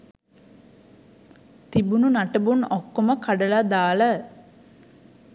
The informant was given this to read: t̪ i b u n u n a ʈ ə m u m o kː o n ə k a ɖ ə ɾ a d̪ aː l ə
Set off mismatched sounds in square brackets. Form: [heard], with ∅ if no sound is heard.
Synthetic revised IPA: t̪ i b u n u n a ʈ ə [b] u [n] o kː o [m] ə k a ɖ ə [l] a d̪ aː l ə